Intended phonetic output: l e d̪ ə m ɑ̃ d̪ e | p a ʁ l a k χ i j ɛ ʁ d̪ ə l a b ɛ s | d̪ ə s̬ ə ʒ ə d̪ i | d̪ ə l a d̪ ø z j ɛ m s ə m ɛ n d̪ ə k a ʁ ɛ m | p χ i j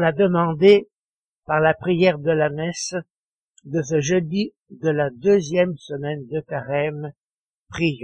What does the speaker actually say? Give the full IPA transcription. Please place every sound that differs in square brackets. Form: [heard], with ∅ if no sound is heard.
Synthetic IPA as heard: l [a] d̪ ə m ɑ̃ d̪ e | p a ʁ l a [p] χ i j ɛ ʁ d̪ ə l a [m] ɛ s | d̪ ə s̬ ə ʒ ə d̪ i | d̪ ə l a d̪ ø z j ɛ m s ə m ɛ n d̪ ə k a ʁ ɛ m | p χ i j